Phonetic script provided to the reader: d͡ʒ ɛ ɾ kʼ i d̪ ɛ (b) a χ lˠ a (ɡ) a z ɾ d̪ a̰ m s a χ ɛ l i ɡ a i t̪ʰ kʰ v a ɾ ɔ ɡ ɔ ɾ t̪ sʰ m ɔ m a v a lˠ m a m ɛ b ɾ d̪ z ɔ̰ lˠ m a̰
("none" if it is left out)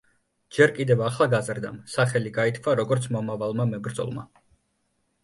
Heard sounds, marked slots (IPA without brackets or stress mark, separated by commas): v, ɡ